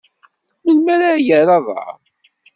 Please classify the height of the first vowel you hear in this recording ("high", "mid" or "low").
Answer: mid